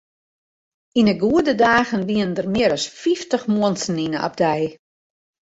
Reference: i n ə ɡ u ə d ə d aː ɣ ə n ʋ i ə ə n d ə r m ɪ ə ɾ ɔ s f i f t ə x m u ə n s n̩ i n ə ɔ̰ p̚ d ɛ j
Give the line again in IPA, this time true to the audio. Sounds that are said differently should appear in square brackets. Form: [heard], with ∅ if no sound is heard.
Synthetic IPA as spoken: i n ə ɡ u ə d ə d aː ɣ ə n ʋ i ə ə n d ə r m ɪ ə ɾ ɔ s f i f t ə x m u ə n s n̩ i n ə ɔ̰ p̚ d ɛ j